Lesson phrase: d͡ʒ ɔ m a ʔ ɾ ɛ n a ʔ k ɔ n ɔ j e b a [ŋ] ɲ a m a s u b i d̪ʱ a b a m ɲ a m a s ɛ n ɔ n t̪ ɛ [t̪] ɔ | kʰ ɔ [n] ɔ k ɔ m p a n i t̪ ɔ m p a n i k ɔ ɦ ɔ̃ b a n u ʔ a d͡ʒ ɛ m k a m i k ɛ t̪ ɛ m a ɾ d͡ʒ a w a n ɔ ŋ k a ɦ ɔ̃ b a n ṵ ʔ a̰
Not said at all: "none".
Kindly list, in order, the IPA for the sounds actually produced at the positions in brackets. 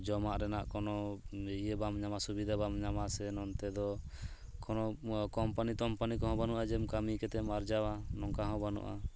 m, d̪, n

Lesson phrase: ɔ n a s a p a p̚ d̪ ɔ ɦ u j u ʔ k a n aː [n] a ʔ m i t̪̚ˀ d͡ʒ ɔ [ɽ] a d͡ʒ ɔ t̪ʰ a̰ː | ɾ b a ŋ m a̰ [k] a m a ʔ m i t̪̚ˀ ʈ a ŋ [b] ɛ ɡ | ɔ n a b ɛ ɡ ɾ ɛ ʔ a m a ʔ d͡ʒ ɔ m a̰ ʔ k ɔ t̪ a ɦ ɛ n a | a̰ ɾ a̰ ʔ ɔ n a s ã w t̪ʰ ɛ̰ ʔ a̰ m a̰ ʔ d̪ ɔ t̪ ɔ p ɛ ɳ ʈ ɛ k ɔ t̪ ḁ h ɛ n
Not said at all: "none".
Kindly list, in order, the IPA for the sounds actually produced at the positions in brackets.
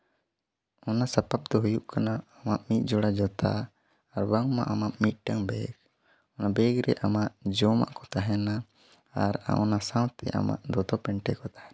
m, ɽ, ʔ, b

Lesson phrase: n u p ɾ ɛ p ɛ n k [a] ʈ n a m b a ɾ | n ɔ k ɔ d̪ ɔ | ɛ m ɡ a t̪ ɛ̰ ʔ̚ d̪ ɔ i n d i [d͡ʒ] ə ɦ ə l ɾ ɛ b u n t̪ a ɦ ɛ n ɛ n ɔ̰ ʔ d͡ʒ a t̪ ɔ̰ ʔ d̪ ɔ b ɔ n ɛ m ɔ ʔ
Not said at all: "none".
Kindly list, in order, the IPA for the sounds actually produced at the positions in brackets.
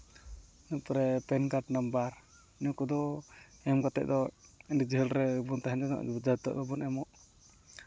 a, d͡ʒ

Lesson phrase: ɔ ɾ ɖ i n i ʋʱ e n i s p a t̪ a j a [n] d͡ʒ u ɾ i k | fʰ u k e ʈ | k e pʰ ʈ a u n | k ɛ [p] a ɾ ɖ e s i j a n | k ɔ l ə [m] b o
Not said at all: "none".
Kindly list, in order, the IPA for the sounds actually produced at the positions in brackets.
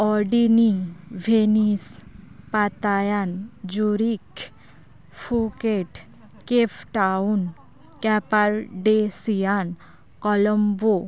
n, p, m

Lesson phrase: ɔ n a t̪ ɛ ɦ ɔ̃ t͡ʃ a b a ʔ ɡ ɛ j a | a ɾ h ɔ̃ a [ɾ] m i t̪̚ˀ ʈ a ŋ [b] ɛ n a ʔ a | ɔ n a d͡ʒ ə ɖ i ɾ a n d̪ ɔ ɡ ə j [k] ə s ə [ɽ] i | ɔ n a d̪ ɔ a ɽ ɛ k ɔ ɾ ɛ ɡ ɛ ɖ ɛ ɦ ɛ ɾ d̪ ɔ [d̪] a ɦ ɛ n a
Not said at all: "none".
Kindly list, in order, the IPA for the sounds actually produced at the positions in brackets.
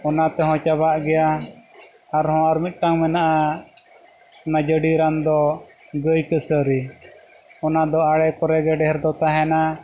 ɾ, m, k, ɾ, t̪

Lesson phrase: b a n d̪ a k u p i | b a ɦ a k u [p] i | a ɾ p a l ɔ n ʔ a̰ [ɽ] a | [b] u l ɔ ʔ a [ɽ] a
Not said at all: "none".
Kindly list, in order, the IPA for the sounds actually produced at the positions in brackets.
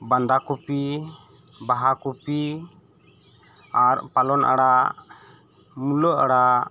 p, ɽ, m, ɽ

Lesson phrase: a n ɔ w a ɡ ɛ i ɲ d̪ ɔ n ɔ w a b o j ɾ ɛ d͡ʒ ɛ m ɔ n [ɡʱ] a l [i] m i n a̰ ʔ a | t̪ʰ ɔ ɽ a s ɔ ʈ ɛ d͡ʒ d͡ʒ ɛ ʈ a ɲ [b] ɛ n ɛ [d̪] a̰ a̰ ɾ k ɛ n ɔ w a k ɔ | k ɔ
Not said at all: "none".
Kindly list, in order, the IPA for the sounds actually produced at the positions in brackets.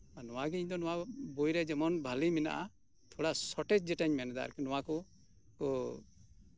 bʱ, i, m, d̪

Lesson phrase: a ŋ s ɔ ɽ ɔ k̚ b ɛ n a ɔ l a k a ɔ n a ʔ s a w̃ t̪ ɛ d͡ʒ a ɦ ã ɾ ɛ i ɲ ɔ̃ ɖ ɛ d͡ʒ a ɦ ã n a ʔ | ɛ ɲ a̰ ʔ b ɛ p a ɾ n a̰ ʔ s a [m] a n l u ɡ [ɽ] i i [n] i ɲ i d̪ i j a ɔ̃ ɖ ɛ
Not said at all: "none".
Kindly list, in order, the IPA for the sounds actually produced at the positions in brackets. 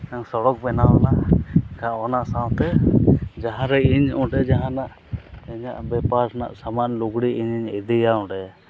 m, ɽ, ɲ

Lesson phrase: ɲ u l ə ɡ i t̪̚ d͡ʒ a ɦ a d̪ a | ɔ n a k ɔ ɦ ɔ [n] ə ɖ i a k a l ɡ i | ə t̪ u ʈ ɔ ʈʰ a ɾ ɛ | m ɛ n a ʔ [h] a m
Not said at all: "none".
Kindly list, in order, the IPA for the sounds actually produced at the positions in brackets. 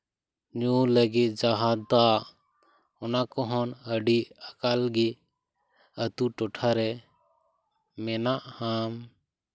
n, h

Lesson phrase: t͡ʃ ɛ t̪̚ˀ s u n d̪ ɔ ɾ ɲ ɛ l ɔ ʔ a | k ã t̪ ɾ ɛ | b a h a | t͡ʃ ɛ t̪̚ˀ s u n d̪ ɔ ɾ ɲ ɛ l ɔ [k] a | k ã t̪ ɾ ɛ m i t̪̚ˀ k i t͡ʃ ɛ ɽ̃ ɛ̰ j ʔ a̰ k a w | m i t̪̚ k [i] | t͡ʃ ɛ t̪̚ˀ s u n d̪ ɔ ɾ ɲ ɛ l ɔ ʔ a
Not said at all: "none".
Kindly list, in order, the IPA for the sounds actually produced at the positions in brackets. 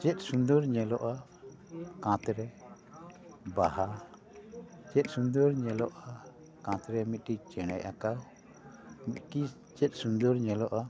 ʔ, i

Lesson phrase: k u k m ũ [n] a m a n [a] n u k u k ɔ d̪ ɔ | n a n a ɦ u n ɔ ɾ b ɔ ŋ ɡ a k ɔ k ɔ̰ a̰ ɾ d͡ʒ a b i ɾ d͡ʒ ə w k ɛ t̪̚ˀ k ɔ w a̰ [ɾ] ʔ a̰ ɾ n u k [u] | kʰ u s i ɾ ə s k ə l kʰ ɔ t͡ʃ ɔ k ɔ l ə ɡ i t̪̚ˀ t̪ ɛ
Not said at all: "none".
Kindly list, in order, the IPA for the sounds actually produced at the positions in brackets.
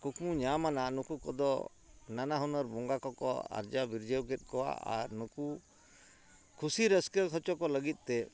ɲ, a, none, u

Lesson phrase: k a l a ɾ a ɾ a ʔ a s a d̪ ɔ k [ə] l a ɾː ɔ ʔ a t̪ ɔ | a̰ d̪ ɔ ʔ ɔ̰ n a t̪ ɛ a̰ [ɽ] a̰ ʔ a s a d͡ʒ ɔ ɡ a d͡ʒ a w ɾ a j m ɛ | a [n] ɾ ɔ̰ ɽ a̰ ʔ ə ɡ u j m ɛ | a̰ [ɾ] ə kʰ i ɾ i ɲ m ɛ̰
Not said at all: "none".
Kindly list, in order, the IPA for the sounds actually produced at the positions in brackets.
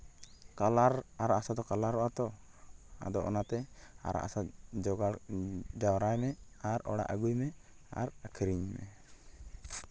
a, ɾ, none, ɾ

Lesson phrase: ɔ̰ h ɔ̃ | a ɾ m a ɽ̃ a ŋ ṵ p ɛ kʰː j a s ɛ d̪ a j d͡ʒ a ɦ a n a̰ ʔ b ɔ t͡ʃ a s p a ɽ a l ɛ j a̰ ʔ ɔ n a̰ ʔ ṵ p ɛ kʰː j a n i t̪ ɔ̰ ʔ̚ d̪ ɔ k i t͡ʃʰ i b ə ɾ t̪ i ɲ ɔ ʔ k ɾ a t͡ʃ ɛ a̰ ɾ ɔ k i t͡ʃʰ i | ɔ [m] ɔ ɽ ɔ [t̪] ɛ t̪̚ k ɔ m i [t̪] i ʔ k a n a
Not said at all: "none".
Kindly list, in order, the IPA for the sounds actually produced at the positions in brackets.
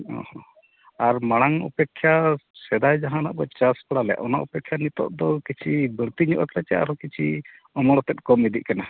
m, t̪, d̪

